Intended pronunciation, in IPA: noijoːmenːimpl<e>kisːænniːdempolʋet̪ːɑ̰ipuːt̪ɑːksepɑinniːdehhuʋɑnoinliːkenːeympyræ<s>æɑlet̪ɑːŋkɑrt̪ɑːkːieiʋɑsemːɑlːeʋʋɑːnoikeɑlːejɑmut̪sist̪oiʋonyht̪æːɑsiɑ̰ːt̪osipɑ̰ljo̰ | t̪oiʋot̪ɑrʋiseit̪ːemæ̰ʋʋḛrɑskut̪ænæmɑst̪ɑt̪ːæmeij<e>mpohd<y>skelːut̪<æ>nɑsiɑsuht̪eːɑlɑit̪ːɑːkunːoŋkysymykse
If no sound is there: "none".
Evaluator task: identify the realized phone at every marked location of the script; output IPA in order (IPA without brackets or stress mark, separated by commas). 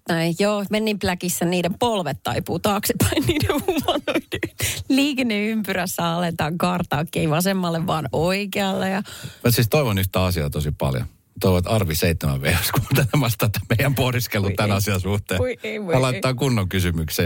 æ, sː, æ, i, æ